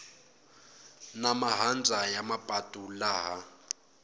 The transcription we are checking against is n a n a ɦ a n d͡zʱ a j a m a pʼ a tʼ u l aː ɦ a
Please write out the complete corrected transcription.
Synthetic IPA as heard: n a m a ɦ a n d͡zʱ a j a m a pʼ a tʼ u l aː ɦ a